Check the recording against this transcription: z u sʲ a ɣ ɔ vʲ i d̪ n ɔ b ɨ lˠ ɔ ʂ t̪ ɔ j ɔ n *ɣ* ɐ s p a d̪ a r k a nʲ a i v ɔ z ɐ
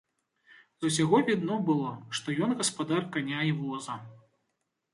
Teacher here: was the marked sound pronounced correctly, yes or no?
yes